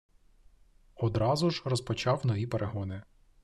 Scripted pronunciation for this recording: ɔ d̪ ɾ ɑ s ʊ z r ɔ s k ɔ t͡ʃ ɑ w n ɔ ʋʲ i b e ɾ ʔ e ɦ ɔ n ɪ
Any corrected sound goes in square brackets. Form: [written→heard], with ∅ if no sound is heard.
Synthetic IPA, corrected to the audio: ɔ d̪ ɾ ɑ [s→z] ʊ [z→ʒ] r ɔ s [k→p] ɔ t͡ʃ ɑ w n ɔ ʋʲ i [b→p] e ɾ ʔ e ɦ ɔ n ɪ